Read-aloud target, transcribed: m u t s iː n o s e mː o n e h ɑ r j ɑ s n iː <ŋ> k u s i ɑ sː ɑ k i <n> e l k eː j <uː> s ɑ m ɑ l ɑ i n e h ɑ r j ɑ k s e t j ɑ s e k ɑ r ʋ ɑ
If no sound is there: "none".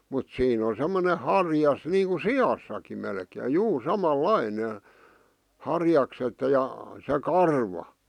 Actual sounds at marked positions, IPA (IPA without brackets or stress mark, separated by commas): ŋ, m, uː